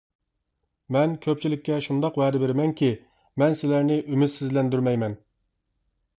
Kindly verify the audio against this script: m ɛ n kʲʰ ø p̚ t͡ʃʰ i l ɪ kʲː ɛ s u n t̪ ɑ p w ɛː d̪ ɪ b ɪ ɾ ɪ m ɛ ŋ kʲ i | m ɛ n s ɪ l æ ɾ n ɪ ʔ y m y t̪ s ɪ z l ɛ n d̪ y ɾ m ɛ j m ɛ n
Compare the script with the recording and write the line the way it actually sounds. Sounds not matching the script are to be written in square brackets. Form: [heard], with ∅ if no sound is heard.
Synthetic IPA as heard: m ɛ n kʲʰ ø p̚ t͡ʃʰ i l ɪ kʲː ɛ [ʃ] u n [d̪] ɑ [q] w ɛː d̪ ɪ b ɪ ɾ ɪ m ɛ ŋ kʲ i | m ɛ n s ɪ l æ ɾ n ɪ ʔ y m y t̪ s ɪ z l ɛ n d̪ y ɾ m ɛ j m ɛ n

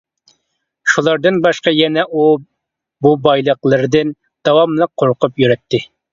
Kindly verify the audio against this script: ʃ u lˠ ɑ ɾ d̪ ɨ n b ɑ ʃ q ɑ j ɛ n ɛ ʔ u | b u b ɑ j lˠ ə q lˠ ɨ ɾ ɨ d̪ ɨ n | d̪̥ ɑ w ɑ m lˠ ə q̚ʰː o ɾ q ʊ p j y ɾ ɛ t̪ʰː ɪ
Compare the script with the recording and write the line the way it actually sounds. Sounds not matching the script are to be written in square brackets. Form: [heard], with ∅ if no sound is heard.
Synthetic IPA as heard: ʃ u lˠ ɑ ɾ d̪ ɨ n b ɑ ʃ q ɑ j ɛ n ɛ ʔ u | b u b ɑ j lˠ ə q lˠ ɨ ɾ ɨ d̪ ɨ n | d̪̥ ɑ w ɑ m lˠ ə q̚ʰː o ɾ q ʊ p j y ɾ ɛ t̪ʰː ɪ

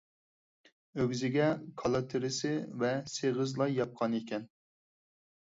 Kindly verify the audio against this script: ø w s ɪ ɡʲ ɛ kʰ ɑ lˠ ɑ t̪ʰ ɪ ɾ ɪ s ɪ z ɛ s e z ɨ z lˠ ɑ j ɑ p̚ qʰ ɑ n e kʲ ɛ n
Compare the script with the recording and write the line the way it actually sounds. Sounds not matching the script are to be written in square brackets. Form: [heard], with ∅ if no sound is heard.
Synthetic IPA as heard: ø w [z] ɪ ɡʲ ɛ kʰ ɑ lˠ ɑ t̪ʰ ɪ ɾ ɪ s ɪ [v] ɛ s e [ʁ] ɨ z lˠ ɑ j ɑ p̚ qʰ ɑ n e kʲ ɛ n

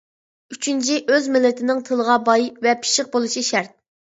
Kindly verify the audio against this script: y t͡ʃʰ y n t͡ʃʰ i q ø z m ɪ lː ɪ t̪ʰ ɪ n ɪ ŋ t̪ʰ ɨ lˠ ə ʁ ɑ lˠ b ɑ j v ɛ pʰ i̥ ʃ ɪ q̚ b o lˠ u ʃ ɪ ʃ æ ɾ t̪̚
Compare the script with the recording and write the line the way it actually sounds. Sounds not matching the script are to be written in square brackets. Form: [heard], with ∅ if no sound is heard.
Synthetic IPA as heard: y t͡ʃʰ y n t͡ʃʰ i [ʔ] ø z m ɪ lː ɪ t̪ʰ ɪ n ɪ ŋ t̪ʰ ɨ lˠ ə ʁ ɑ [∅] b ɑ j v ɛ pʰ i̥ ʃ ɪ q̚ b o lˠ u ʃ [i] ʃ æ ɾ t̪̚

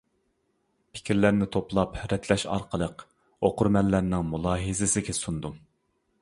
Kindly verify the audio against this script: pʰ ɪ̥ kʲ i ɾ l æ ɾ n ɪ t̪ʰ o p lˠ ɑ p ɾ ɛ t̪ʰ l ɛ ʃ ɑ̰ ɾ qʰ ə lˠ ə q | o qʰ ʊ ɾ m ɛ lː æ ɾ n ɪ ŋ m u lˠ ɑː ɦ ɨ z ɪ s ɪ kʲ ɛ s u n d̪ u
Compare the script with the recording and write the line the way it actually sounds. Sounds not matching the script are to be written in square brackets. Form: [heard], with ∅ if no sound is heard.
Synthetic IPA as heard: pʰ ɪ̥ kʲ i ɾ l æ ɾ n ɪ t̪ʰ o p lˠ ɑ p ɾ ɛ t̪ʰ l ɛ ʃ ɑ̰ ɾ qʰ ə lˠ ə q | o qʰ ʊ ɾ m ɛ lː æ ɾ n ɪ ŋ m u lˠ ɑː ɦ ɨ z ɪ s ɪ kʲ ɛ s u n d̪ u

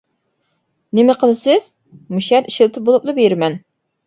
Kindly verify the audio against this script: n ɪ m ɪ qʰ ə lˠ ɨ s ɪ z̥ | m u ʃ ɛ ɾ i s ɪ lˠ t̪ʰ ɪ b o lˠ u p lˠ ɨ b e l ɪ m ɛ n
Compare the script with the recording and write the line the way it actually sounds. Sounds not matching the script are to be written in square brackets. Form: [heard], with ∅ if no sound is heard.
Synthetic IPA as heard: n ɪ m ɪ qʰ ə lˠ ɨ s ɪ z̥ | m u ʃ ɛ ɾ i [ʃ] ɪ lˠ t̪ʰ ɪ b o lˠ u p lˠ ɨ b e [ɾ] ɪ m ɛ n

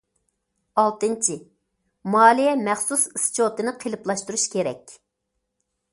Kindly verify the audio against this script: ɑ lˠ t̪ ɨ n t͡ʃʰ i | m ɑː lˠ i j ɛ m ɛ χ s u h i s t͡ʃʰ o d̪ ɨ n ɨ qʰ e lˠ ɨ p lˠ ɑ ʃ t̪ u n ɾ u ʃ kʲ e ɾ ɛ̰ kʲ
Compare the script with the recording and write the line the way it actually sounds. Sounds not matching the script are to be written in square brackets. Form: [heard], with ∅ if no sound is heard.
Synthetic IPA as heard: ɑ lˠ t̪ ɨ n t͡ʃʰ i | m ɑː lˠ i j ɛ m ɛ χ s u [s] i s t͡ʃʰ o [t̪] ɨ n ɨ qʰ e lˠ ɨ p lˠ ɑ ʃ t̪ u [∅] ɾ u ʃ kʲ e ɾ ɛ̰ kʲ

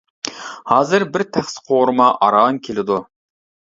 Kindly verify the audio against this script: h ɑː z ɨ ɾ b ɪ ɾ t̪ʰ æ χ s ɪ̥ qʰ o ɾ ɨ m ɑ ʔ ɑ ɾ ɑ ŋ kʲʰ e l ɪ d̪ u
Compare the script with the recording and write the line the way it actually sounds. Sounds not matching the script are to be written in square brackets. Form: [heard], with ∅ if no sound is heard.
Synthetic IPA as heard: h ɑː z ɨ ɾ b ɪ ɾ t̪ʰ æ χ s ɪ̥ qʰ o ɾ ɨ m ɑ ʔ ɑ ɾ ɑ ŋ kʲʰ e l ɪ d̪ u

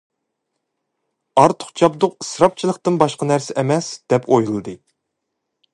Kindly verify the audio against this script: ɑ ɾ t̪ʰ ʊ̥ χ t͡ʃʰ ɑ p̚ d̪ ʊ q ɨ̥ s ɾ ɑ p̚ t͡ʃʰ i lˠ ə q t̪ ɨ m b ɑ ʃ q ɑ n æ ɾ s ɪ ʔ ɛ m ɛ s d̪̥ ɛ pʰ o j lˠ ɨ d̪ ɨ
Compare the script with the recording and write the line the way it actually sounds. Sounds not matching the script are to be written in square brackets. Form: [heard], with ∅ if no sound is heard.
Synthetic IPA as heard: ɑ ɾ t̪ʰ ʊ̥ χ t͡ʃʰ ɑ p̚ d̪ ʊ q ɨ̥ s ɾ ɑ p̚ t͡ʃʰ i lˠ ə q t̪ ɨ [n] b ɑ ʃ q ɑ n æ ɾ s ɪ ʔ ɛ m ɛ s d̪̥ ɛ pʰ o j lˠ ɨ d̪ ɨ

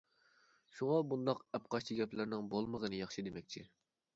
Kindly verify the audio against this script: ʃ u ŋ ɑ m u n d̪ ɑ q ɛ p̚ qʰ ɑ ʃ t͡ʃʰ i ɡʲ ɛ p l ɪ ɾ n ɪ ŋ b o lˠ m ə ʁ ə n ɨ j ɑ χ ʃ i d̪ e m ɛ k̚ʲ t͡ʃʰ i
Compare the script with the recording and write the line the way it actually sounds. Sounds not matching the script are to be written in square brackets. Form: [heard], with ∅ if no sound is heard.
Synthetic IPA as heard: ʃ u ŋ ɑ [b] u n d̪ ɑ q ɛ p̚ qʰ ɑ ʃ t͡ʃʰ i ɡʲ ɛ p l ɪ ɾ n ɪ ŋ b o lˠ m ə ʁ ə n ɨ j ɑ χ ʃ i d̪ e m ɛ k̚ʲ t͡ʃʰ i

